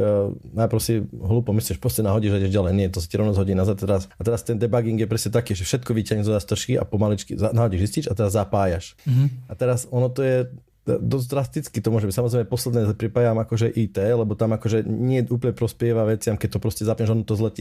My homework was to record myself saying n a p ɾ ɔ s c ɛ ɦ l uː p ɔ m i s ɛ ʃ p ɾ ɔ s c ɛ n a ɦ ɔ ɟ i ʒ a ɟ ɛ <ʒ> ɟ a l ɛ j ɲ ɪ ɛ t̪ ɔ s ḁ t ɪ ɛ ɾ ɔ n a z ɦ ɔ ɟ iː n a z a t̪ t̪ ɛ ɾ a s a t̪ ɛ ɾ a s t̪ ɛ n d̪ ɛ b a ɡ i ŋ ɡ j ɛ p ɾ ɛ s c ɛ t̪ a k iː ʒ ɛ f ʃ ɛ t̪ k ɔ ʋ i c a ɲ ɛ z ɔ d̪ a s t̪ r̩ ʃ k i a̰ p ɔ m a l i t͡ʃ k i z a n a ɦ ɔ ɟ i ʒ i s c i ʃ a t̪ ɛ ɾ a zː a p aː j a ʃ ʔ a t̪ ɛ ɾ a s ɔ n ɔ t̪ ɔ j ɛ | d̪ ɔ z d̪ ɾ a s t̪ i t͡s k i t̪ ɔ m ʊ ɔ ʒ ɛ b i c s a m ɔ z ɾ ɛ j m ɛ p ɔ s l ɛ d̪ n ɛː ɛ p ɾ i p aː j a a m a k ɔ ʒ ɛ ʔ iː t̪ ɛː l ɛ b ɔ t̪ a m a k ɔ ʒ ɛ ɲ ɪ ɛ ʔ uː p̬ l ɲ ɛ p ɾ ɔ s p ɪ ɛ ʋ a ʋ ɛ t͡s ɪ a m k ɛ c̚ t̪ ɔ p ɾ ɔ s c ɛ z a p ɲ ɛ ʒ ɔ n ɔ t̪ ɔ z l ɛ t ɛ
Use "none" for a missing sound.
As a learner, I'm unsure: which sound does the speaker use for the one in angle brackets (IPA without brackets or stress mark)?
ʒ